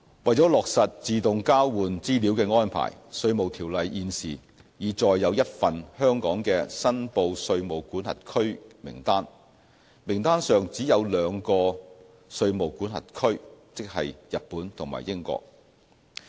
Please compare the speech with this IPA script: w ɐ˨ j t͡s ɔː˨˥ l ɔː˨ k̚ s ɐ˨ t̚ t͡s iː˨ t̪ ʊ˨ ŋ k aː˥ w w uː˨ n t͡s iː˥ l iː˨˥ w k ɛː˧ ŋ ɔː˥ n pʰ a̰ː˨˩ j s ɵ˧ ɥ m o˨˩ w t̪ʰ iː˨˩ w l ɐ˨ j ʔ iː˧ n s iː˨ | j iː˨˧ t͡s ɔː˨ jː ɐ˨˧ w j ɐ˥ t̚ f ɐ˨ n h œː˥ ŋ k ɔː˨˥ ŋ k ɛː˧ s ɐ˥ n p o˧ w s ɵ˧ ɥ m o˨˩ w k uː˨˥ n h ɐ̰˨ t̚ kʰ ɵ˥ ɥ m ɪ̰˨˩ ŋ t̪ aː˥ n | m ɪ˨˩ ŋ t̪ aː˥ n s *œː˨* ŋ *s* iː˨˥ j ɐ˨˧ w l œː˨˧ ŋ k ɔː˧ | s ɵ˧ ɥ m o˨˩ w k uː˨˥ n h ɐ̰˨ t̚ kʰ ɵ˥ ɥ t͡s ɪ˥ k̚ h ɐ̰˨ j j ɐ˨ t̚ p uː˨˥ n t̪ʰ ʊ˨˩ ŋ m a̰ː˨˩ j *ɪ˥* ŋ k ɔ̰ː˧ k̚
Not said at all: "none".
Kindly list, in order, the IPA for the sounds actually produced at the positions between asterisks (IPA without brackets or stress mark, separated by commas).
œː˨, t͡s, ɪ˥